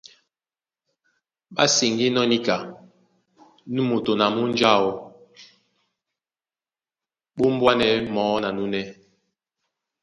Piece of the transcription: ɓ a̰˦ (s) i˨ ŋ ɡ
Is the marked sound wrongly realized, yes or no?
no